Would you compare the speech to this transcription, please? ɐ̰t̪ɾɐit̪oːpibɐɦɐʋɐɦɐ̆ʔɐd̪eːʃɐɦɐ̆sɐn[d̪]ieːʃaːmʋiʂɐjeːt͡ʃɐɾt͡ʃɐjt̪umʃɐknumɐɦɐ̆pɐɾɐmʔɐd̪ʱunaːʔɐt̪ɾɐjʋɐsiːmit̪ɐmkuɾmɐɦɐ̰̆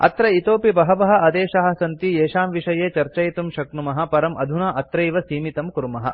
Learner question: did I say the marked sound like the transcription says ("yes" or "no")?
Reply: no